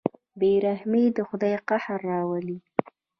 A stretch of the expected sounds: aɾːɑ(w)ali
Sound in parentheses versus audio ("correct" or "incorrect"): correct